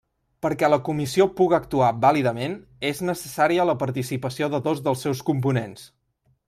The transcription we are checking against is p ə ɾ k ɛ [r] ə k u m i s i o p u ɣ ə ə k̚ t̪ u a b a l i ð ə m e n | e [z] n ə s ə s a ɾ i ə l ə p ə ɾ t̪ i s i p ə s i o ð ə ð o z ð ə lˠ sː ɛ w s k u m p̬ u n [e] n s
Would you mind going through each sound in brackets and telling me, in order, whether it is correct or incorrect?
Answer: incorrect: l, correct, correct

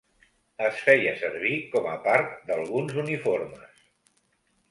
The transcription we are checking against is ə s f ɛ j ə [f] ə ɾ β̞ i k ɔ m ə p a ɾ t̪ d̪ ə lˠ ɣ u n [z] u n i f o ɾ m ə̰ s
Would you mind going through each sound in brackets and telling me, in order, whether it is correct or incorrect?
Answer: incorrect: s, correct

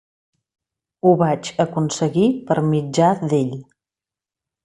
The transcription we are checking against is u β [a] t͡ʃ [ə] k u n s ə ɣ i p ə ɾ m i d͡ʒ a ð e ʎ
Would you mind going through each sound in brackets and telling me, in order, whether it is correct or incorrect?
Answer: correct, correct

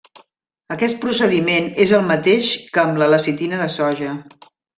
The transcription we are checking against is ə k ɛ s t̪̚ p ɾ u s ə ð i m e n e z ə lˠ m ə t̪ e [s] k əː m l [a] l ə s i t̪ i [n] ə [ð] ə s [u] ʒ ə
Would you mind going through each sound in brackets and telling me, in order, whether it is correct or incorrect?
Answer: incorrect: ʃ, incorrect: ə, correct, correct, incorrect: ɔ

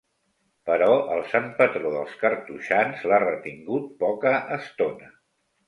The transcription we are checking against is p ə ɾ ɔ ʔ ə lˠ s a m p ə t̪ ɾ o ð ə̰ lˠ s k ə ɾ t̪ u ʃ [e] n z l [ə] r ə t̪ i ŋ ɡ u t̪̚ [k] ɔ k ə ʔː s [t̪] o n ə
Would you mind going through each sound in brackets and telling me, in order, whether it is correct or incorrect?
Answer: incorrect: a, incorrect: a, incorrect: p, correct

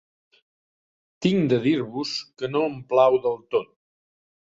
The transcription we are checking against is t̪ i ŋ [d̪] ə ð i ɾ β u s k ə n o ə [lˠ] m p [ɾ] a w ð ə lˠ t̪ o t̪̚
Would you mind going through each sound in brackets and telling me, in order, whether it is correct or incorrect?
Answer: correct, incorrect: none, incorrect: l

